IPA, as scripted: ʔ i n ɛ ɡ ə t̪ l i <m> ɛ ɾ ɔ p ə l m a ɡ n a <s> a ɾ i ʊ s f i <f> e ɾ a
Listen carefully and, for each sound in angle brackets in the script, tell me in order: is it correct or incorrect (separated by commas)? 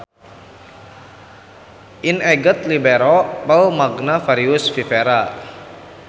incorrect, incorrect, correct